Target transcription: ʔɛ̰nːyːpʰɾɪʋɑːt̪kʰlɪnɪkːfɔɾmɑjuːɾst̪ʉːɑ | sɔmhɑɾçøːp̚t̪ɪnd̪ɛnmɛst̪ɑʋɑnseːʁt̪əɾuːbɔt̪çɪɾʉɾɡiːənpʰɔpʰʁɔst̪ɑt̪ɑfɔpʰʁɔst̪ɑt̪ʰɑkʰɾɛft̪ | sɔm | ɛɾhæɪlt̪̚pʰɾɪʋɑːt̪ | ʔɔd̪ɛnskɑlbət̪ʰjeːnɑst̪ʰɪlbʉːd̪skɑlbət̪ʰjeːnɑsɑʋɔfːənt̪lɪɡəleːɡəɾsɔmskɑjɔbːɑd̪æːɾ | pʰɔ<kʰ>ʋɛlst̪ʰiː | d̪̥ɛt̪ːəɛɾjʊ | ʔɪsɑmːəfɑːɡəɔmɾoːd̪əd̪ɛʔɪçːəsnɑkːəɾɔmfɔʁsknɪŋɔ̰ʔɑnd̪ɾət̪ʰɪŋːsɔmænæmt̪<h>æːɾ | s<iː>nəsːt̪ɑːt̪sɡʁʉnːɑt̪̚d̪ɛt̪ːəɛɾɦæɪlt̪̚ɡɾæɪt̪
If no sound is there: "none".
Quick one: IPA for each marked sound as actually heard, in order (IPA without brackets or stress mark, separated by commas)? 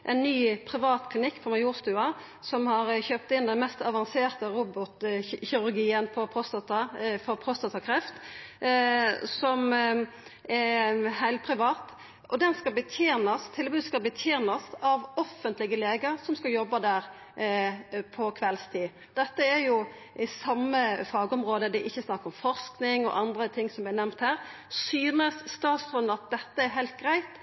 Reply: kʰ, h, yː